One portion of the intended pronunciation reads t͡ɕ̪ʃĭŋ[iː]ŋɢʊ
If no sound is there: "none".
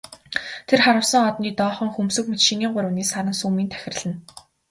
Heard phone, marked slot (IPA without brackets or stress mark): iː